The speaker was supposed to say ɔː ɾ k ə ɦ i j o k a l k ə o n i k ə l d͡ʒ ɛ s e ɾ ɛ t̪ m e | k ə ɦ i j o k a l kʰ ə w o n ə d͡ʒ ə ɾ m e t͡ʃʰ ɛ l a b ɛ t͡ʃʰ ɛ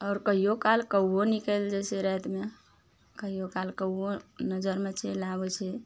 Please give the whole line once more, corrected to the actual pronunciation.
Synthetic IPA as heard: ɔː ɾ k ə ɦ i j o k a l k ə o n i k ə l d͡ʒ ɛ s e ɾ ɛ t̪ m e | k ə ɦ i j o k a l k ə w o n ə d͡ʒ ə ɾ m e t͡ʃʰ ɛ l a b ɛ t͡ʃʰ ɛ